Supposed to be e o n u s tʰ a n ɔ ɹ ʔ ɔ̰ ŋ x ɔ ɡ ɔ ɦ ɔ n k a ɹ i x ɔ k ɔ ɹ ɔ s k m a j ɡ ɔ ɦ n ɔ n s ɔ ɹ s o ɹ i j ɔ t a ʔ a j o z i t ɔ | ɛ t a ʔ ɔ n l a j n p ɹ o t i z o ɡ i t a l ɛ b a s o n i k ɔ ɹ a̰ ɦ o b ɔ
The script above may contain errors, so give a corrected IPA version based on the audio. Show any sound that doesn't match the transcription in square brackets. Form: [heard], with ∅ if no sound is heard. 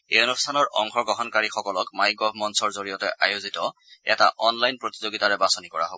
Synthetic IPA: e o n u s tʰ a n ɔ ɹ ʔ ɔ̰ ŋ x ɔ ɡ ɔ ɦ ɔ n k a ɹ i x ɔ k ɔ [l] ɔ [∅] k m a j ɡ ɔ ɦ [m] ɔ n s ɔ ɹ [z] o ɹ i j ɔ t [ɛ] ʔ a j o z i t ɔ | ɛ t a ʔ ɔ n l a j n p ɹ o t i z o ɡ i t a [ɹ] ɛ b a s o n i k ɔ ɹ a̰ ɦ o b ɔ